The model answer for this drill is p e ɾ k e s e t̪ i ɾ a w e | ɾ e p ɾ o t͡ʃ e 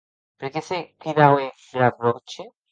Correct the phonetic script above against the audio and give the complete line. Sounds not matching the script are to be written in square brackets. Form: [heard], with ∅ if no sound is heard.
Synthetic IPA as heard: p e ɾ k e s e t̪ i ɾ a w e | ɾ [a] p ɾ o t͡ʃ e